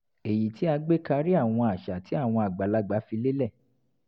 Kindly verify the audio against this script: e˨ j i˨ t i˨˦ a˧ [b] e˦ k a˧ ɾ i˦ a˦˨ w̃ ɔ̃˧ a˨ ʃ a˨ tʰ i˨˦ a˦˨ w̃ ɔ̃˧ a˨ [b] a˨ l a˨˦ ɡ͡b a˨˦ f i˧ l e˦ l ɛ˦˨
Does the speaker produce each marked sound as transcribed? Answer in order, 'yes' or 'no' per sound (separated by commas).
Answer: no, no